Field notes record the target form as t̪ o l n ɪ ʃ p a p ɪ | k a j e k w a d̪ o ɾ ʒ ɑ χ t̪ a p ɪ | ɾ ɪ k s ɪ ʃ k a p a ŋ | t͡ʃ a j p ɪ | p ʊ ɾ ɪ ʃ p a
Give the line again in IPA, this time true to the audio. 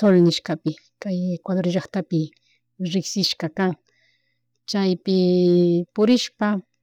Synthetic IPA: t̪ o l n ɪ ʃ k a p ɪ | k a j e k w a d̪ o ɾ ʒ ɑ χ t̪ a p ɪ | ɾ ɪ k s ɪ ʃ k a k a ŋ | t͡ʃ a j p ɪ | p ʊ ɾ ɪ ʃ p a